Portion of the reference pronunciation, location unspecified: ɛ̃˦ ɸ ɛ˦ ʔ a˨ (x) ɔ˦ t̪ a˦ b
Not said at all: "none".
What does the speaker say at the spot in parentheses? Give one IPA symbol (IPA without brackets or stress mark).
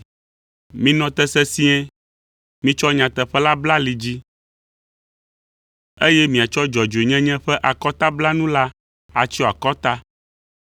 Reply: k